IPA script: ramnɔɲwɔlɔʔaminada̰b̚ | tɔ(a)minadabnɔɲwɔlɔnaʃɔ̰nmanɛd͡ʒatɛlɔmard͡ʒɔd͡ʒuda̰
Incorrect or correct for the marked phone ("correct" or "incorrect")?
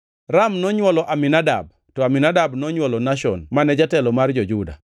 correct